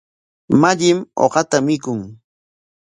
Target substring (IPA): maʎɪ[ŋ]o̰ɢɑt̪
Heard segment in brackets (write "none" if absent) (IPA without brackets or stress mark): m